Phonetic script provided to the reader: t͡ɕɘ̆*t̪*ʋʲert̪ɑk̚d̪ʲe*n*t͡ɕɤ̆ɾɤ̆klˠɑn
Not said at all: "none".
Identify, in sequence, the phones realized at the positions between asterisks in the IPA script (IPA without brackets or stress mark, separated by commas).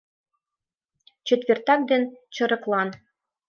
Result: t̪, n